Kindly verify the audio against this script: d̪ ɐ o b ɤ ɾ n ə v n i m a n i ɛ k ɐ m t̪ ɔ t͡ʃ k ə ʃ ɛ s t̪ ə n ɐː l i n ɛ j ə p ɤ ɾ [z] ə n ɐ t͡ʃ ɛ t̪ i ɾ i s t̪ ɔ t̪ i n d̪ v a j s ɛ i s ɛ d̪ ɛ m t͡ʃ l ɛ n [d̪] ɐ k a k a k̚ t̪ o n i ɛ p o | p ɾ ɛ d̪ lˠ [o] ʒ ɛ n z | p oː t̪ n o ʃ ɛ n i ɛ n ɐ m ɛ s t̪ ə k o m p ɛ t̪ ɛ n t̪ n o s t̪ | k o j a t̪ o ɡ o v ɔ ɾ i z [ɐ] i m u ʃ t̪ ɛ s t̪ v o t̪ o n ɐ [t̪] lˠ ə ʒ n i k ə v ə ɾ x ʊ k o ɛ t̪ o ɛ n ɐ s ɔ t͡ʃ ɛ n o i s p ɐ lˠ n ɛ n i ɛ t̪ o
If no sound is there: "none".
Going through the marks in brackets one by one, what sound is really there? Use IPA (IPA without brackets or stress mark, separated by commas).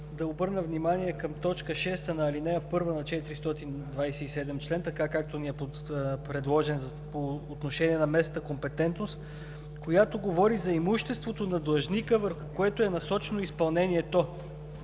v, t̪, ɔ, ɐ, d̪